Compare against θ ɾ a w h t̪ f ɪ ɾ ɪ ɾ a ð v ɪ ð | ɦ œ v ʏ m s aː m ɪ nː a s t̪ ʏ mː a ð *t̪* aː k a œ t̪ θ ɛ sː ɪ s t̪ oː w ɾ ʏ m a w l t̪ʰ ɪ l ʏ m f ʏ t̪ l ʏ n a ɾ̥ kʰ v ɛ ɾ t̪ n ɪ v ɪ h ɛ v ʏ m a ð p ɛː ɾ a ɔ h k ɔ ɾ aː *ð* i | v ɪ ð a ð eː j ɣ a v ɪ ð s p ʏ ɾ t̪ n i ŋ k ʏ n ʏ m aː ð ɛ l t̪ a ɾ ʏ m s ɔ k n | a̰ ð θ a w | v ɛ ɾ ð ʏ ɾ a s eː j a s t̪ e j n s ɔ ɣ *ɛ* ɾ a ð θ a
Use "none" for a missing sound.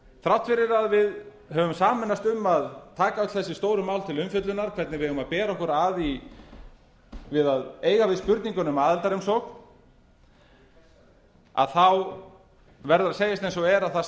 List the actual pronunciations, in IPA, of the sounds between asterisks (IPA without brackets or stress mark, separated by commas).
t̪ʰ, ð, ɛ